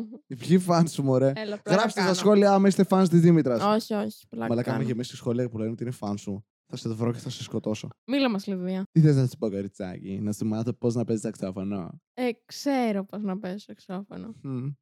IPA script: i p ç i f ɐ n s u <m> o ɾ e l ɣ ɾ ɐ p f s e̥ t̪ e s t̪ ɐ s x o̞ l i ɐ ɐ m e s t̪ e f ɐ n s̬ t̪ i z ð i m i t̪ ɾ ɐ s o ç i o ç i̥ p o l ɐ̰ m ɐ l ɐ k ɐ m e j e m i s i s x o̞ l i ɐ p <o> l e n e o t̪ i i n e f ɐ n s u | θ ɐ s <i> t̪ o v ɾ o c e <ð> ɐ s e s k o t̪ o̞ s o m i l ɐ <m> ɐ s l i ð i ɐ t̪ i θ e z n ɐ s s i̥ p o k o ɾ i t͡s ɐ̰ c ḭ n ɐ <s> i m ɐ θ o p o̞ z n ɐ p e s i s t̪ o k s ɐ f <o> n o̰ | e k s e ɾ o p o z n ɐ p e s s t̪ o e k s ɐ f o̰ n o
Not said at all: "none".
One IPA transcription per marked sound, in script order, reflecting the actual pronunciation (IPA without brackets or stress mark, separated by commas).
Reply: m, u, e, θ, m, s, o